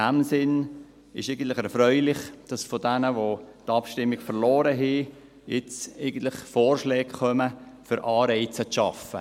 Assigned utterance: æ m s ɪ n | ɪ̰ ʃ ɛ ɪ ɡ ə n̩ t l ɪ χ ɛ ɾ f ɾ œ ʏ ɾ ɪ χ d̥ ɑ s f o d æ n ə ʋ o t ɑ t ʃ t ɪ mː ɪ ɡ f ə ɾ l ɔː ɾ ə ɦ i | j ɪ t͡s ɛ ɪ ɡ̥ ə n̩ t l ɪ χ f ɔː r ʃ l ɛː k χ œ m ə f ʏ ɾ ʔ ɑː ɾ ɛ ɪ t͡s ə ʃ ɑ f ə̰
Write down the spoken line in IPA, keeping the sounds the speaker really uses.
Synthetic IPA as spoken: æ m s ɪ n | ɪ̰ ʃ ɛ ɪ ɡ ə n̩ t l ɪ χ ɛ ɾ f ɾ œ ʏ l ɪ χ d̥ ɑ s f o d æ n ə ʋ o t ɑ p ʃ t ɪ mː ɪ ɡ f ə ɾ l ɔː ɾ ə ɦ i | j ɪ t͡s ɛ ɪ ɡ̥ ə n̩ t l ɪ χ f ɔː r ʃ l ɛː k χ œ m ə f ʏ ɾ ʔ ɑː ɾ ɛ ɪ t͡s ə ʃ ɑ f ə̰